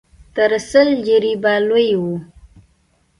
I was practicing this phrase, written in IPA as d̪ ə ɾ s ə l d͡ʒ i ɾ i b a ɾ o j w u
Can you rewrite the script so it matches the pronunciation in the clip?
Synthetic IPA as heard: t̪ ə ɾ s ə l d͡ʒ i ɾ i b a l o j w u